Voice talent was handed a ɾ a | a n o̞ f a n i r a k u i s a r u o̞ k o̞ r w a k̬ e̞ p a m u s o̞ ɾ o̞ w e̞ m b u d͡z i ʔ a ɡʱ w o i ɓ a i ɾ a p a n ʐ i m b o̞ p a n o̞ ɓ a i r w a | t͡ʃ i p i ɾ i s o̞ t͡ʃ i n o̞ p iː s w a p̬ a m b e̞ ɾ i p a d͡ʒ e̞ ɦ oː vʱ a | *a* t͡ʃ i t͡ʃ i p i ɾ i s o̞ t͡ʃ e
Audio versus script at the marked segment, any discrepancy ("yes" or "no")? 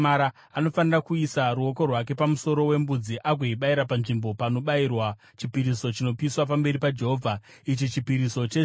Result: yes